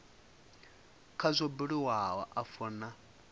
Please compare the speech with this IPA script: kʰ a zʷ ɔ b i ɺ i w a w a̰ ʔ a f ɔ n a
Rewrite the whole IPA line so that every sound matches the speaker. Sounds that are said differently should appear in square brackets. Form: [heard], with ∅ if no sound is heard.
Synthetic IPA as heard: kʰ a zʷ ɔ b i ɺ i w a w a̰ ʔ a f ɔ n a